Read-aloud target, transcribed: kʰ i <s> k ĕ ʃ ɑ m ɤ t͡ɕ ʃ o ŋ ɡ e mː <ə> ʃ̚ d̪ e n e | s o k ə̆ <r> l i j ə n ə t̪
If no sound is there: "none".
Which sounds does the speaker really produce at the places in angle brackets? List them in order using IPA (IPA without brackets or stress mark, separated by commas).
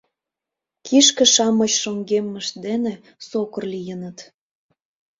ʃ, ə, r